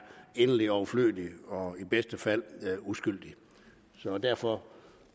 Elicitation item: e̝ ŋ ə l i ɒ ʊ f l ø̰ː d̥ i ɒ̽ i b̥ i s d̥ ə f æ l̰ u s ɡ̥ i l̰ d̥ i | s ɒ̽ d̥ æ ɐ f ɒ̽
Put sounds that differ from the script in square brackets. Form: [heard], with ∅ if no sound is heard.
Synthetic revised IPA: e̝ [n] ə l i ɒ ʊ f l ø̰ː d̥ i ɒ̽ i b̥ [e] s d̥ ə f æ l̰ u s ɡ̥ [y] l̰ d̥ i | s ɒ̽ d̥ æ ɐ f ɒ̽